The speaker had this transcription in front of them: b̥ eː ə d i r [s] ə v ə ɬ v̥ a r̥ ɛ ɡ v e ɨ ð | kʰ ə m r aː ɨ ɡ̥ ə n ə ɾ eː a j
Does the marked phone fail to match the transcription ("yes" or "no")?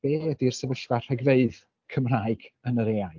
no